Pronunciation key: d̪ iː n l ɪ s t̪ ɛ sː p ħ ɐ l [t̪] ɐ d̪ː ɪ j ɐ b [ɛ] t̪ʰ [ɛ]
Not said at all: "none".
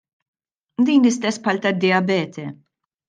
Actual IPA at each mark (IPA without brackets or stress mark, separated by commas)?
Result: t̪, ɛː, ɛ